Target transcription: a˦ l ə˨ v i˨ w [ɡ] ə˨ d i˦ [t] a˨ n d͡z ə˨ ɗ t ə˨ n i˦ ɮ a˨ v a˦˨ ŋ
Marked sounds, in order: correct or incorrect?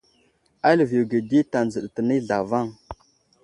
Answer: correct, correct

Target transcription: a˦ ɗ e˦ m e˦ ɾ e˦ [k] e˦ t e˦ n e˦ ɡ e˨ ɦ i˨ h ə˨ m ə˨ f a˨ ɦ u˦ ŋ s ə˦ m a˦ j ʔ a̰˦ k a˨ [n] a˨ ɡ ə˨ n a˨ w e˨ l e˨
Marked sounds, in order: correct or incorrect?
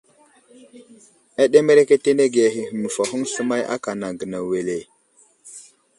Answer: correct, correct

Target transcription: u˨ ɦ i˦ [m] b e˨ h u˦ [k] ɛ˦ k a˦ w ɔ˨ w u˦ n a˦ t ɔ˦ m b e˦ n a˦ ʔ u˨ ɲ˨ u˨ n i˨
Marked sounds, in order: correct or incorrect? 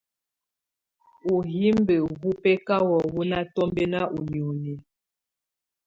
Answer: correct, incorrect: p

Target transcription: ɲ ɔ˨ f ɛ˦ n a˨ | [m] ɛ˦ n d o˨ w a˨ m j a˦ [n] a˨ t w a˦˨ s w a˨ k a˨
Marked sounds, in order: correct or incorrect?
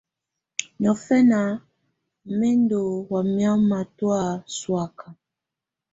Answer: correct, incorrect: m

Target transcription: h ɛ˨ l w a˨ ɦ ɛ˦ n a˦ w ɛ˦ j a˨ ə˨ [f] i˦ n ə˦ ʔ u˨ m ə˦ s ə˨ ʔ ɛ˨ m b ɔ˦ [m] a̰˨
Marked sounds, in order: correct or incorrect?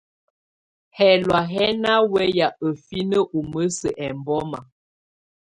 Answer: correct, correct

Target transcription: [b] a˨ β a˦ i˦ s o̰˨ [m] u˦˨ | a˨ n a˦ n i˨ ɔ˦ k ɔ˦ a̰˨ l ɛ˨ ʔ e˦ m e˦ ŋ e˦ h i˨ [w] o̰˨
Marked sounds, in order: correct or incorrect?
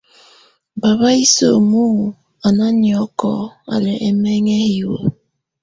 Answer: correct, correct, correct

